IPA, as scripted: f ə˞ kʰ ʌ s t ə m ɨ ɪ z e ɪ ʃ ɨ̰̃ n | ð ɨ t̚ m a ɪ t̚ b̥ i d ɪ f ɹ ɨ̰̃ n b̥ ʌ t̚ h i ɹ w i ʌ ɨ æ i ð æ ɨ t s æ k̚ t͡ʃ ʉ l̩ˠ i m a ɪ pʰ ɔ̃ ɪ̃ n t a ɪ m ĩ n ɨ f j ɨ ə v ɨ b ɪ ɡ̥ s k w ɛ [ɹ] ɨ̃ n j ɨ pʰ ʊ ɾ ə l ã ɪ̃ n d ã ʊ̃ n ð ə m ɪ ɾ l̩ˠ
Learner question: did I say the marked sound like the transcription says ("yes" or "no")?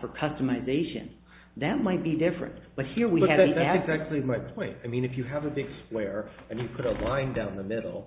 yes